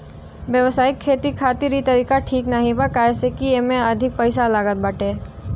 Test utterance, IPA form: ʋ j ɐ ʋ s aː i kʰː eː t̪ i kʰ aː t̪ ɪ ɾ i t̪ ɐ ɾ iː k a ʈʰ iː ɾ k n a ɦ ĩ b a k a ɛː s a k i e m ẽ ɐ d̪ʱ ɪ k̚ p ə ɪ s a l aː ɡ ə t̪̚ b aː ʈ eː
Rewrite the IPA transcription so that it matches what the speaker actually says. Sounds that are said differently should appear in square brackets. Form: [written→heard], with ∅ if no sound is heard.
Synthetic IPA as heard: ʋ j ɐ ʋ s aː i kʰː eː t̪ i kʰ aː t̪ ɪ ɾ i t̪ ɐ ɾ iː k a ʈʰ iː [ɾ→∅] k n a ɦ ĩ b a k a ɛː s [a→e] k i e m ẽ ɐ d̪ʱ ɪ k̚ p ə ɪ s a l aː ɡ ə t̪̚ b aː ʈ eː